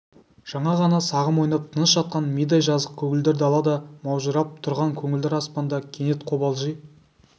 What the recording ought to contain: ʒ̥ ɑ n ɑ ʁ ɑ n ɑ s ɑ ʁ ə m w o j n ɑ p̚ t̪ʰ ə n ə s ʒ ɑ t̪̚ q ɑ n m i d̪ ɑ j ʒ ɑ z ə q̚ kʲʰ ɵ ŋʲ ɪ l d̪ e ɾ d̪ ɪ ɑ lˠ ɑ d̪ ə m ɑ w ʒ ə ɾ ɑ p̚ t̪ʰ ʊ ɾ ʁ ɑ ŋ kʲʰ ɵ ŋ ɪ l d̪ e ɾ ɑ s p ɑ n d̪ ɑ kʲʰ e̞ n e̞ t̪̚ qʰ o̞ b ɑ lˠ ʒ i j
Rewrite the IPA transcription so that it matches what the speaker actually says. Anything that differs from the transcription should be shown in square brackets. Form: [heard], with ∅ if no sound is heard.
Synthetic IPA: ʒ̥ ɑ [ɴ] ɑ ʁ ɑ n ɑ s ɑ ʁ ə m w o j n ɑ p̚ t̪ʰ ə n ə s ʒ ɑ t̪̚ q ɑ n m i d̪ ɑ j ʒ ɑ z ə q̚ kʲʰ ɵ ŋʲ ɪ l d̪ e ɾ d̪ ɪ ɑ lˠ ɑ d̪ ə m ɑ w ʒ ə ɾ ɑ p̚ t̪ʰ ʊ ɾ ʁ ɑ ŋ kʲʰ ɵ ŋ ɪ l d̪ e ɾ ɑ s p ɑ n d̪ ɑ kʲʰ e̞ n e̞ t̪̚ qʰ o̞ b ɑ lˠ ʒ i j